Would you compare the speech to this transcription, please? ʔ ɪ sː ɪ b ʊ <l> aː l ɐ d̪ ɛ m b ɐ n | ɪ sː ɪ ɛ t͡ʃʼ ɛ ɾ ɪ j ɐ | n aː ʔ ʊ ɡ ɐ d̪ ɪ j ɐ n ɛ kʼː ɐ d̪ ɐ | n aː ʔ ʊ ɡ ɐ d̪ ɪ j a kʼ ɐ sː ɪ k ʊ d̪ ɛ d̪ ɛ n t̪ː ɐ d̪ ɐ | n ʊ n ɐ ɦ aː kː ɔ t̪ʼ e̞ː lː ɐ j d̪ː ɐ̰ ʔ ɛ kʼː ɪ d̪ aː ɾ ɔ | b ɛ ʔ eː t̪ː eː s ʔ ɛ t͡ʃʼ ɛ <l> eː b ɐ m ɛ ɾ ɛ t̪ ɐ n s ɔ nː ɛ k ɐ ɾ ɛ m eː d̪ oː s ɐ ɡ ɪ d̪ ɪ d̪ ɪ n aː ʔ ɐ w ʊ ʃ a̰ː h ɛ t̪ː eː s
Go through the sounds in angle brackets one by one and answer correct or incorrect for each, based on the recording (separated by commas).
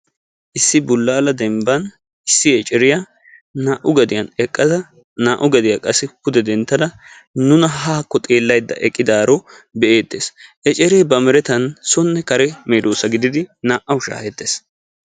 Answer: incorrect, incorrect